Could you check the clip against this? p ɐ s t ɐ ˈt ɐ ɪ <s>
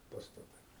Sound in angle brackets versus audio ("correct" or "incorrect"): incorrect